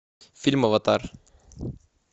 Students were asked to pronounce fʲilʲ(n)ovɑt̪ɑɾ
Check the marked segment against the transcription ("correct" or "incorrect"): incorrect